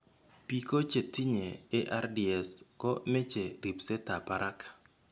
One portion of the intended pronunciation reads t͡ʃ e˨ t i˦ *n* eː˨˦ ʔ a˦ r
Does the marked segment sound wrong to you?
yes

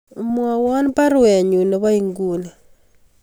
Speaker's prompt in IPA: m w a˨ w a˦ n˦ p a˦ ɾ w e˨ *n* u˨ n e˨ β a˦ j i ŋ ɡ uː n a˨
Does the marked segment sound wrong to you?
yes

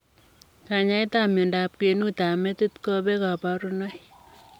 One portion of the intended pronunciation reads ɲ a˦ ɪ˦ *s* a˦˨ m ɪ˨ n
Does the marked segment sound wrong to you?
yes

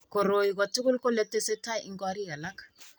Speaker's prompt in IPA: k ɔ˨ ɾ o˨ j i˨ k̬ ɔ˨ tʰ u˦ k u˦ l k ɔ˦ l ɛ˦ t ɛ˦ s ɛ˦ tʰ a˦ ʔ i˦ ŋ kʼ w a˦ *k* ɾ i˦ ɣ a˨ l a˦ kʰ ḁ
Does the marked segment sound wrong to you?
yes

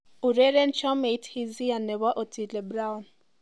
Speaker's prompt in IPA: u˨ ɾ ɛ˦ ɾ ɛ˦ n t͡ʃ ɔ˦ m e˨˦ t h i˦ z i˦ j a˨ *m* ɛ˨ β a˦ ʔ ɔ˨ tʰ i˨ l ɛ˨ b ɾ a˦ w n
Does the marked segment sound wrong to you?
yes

